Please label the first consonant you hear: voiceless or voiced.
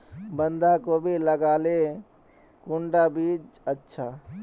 voiced